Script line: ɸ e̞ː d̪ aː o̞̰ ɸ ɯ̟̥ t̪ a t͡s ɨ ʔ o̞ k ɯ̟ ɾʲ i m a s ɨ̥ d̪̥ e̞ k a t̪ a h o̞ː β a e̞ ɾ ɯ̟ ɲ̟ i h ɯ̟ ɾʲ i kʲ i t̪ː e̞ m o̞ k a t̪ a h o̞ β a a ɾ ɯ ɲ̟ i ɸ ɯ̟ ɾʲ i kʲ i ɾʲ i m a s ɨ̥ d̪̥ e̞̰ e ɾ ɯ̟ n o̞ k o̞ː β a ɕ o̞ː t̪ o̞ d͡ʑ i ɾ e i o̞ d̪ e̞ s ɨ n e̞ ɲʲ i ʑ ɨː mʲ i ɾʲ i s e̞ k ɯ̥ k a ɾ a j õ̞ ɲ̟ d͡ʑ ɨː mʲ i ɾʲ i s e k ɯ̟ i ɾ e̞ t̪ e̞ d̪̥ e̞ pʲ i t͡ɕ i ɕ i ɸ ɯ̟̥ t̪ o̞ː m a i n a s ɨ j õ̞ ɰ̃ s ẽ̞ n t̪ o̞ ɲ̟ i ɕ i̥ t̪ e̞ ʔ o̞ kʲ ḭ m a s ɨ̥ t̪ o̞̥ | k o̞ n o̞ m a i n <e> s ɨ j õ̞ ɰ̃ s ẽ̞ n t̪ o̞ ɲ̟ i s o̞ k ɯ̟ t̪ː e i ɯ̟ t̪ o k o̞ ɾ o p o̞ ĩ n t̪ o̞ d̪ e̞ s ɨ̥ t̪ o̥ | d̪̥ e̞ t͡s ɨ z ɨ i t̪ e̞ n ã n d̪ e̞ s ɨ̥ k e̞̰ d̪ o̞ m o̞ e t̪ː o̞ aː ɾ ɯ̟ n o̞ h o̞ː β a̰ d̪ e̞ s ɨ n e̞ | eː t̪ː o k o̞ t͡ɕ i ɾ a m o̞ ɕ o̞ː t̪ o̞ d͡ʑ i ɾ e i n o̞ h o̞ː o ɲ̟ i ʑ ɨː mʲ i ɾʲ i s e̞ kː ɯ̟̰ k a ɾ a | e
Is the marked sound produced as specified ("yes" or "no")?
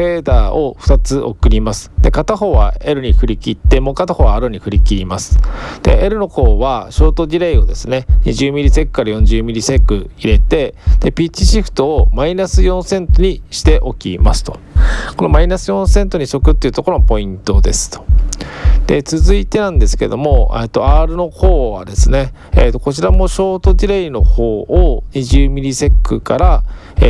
no